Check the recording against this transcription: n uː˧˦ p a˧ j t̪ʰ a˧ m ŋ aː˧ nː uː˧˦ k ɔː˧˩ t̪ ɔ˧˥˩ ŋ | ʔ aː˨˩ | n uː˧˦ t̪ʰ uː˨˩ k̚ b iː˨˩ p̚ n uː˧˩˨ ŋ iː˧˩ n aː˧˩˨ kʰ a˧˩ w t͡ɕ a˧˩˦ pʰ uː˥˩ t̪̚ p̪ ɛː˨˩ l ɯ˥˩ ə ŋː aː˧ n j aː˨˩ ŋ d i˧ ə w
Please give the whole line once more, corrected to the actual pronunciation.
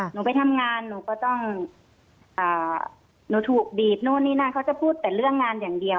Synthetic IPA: n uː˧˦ p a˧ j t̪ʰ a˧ m ŋ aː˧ nː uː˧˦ k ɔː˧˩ t̪ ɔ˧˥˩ ŋ | ʔ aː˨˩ | n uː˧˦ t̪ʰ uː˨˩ k̚ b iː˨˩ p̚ n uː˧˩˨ n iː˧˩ n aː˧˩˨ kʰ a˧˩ w t͡ɕ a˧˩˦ pʰ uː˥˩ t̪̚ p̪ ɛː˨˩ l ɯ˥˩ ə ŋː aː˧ n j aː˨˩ ŋ d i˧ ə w